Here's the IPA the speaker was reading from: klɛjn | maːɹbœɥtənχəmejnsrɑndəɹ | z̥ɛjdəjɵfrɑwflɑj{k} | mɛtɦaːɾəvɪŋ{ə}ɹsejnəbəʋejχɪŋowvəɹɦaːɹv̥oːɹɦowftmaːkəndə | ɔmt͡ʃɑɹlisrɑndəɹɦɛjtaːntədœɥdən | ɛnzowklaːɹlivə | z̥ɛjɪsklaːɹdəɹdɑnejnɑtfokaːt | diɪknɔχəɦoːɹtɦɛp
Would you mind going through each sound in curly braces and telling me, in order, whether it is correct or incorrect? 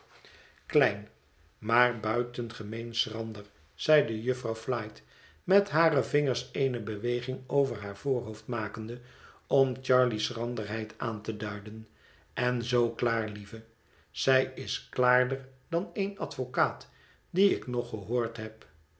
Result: incorrect: t, correct

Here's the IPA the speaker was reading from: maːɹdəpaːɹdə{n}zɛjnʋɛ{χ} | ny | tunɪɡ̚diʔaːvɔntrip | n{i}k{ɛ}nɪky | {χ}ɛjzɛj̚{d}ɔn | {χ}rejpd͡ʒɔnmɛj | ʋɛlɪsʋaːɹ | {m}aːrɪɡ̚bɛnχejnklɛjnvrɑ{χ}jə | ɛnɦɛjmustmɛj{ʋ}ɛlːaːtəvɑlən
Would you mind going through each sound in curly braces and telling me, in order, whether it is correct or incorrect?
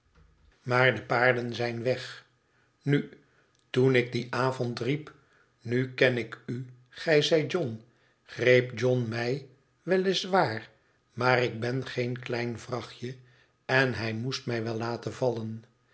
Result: correct, correct, incorrect: y, correct, correct, incorrect: d͡ʒ, correct, correct, correct, correct

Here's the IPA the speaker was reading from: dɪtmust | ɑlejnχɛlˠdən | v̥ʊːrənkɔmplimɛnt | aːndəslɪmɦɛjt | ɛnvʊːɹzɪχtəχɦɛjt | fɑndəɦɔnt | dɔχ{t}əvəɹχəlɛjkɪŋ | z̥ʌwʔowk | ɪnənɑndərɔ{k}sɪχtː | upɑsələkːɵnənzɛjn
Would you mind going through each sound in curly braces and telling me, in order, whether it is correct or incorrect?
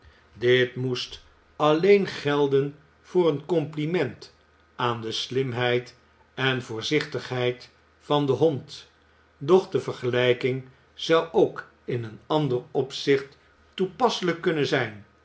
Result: incorrect: d, incorrect: p

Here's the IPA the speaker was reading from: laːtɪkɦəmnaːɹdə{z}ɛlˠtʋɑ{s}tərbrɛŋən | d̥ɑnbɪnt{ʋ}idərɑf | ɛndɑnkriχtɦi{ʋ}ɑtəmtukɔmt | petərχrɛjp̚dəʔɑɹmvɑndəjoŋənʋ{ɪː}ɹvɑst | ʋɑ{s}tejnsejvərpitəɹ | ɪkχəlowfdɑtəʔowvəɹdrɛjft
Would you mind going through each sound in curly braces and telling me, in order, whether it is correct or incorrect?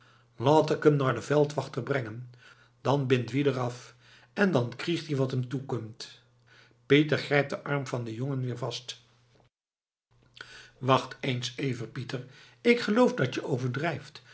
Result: incorrect: v, incorrect: χ, correct, correct, correct, incorrect: χ

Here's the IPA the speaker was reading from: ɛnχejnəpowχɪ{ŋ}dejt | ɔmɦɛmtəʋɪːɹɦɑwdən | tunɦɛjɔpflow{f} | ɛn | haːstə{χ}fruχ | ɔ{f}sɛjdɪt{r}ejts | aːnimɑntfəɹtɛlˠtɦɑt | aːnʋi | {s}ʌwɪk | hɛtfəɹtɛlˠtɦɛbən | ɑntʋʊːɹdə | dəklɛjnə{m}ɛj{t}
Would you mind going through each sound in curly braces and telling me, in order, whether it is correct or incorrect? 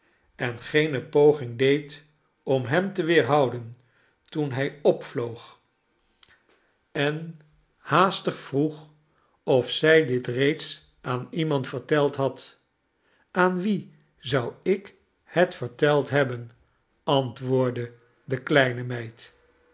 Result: correct, incorrect: χ, correct, correct, correct, incorrect: z, correct, correct

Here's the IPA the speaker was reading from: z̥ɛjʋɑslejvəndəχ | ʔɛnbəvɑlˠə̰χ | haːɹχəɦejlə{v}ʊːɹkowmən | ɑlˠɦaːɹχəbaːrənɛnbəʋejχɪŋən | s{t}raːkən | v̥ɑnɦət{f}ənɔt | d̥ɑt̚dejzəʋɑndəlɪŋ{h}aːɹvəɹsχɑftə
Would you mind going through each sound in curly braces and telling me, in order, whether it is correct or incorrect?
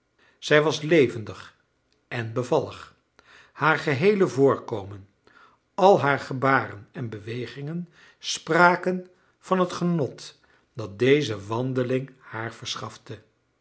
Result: correct, incorrect: p, incorrect: χ, correct

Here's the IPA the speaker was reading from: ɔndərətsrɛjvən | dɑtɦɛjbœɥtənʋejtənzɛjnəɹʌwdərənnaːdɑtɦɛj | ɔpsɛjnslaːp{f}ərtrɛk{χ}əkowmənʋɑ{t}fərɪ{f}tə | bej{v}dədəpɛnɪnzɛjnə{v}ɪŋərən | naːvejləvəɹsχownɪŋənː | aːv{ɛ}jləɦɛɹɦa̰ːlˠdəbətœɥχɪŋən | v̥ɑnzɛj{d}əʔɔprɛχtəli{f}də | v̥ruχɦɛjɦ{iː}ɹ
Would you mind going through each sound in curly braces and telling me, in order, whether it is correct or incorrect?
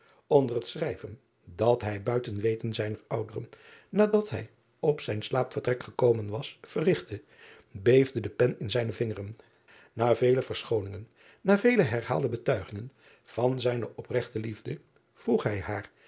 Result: correct, correct, incorrect: s, incorrect: χ, correct, correct, incorrect: e, incorrect: n, incorrect: v, incorrect: aː

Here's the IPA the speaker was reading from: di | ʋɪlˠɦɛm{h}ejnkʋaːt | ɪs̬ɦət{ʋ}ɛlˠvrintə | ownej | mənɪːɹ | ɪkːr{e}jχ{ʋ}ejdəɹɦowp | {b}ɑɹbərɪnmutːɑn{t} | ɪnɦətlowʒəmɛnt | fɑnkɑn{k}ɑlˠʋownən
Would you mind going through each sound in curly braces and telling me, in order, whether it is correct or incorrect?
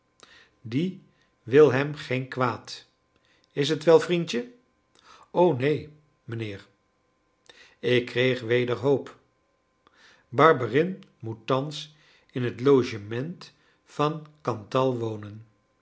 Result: incorrect: χ, correct, correct, correct, correct, incorrect: s, incorrect: t

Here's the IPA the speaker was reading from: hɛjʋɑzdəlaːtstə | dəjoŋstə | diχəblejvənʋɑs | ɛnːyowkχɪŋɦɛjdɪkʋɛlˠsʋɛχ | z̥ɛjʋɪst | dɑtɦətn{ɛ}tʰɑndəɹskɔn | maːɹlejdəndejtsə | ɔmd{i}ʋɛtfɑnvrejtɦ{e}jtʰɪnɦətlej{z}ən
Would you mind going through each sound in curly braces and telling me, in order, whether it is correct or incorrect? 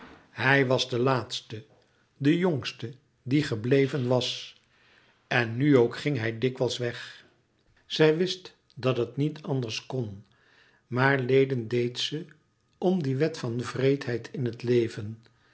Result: incorrect: i, correct, incorrect: ɛ, incorrect: v

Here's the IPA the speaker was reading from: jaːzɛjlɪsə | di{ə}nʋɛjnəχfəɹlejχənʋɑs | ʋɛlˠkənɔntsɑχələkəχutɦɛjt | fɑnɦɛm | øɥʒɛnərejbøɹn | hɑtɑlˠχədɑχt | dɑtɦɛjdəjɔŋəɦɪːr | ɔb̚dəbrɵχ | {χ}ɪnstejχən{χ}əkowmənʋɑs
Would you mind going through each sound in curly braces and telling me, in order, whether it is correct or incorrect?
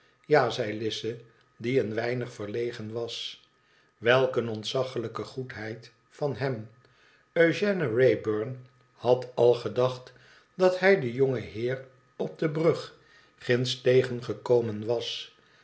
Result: correct, correct, correct

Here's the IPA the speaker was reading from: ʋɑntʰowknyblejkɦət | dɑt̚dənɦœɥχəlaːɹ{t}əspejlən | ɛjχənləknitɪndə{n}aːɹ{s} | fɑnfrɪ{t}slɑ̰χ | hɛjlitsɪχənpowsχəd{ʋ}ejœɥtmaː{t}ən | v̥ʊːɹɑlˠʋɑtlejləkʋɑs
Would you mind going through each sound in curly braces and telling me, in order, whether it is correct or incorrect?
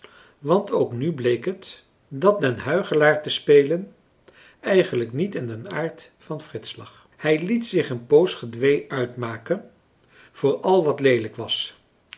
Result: correct, correct, incorrect: t, correct, correct, incorrect: k

